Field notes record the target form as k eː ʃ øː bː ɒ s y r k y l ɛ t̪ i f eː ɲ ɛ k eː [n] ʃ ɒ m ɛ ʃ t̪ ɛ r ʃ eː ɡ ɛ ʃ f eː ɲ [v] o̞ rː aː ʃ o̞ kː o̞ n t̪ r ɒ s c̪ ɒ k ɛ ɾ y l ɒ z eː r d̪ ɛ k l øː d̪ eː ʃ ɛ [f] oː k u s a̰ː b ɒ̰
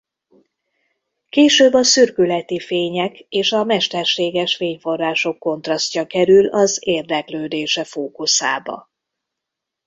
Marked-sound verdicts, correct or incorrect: incorrect: none, incorrect: f, correct

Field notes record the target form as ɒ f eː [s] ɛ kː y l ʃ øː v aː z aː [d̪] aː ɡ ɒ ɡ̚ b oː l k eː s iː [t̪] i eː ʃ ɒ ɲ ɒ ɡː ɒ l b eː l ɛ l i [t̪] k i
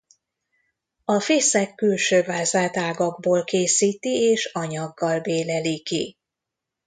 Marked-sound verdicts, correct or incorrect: correct, incorrect: t̪, correct, incorrect: none

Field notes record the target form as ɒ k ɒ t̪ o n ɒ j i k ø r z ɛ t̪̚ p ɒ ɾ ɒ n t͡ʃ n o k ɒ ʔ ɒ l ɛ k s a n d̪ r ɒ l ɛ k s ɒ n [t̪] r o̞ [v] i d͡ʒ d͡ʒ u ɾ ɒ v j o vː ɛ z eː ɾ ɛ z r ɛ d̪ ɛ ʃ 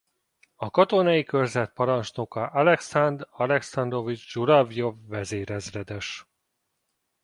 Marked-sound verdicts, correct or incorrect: incorrect: d̪, correct

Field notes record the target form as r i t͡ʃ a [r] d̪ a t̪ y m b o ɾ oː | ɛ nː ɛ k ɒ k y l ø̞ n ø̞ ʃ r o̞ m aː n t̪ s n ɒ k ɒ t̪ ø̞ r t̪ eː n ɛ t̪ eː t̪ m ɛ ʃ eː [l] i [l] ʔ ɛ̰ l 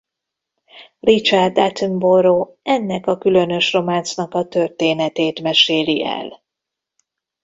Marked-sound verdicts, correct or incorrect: correct, correct, incorrect: none

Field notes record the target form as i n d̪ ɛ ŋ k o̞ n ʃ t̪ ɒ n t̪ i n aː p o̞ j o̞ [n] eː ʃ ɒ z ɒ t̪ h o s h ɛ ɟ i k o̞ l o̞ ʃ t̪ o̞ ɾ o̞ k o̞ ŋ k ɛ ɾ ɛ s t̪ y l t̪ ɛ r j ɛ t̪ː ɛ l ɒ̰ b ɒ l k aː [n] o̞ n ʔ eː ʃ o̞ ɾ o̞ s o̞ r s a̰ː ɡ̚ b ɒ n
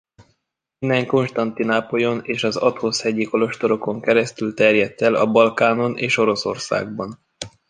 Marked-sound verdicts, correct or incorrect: correct, correct

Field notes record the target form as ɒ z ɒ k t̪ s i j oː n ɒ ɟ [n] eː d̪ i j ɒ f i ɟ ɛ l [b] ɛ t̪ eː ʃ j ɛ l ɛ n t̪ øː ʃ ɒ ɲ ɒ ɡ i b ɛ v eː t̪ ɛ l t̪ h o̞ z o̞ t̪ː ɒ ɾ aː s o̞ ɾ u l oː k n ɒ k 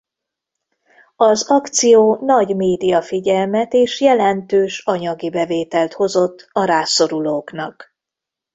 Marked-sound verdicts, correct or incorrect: incorrect: m, incorrect: m

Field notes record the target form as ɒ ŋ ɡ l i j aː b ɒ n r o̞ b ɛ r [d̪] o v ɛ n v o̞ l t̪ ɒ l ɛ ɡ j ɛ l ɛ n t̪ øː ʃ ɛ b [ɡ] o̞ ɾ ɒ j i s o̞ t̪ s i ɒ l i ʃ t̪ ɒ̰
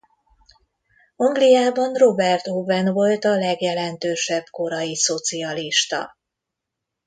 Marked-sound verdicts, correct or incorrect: incorrect: t̪, incorrect: k

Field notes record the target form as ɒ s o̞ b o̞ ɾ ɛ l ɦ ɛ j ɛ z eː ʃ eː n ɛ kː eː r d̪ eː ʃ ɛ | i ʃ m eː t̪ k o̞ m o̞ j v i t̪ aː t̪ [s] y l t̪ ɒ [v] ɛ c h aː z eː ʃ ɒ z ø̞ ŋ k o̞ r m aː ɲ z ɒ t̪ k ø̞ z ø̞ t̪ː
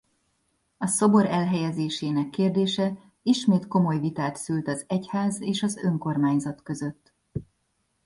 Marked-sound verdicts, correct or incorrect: correct, incorrect: z

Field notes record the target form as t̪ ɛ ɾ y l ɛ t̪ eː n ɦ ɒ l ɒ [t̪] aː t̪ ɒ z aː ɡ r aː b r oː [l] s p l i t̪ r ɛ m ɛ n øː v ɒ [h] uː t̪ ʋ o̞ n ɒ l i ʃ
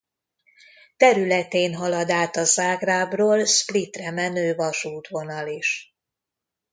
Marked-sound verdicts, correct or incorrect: incorrect: d̪, correct, incorrect: ʃ

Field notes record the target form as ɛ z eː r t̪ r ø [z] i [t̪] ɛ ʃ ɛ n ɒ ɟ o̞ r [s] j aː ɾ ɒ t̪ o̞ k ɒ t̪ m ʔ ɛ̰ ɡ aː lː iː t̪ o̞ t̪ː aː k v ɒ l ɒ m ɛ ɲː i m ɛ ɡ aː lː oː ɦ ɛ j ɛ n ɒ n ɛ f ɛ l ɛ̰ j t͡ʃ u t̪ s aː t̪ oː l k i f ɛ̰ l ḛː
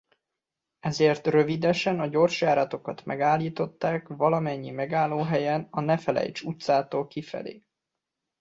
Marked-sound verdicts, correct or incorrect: incorrect: v, incorrect: d̪, incorrect: ʃ

